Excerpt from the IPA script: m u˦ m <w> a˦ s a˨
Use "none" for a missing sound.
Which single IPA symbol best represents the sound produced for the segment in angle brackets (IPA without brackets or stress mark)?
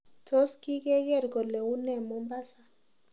b